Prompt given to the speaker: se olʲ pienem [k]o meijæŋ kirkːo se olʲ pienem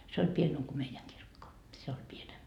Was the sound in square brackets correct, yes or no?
yes